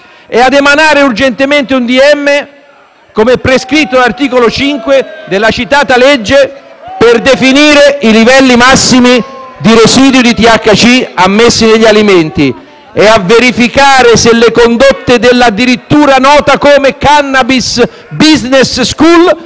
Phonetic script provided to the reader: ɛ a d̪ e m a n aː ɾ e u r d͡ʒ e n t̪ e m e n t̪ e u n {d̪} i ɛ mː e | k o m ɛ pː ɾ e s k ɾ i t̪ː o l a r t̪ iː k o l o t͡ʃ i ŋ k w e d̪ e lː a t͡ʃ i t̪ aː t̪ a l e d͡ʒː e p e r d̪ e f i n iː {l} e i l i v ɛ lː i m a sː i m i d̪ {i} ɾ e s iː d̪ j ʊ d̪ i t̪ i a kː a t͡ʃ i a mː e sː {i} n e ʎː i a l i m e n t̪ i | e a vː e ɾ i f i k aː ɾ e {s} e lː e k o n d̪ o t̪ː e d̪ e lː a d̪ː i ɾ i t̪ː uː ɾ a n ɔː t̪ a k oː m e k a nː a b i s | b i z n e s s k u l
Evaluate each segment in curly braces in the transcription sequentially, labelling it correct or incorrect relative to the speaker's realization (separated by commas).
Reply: correct, incorrect, correct, correct, correct